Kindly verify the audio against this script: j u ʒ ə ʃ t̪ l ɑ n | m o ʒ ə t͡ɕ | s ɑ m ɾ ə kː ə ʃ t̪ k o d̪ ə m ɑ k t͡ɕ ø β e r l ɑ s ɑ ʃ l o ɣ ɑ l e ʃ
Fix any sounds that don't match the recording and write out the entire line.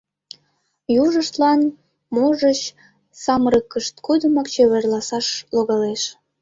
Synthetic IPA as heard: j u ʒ ə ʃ t̪ l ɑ n | m o ʒ ə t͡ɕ | s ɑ m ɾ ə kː ə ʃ t̪ k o d̪ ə m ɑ k t͡ɕ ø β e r l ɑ s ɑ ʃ l o ɣ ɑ l e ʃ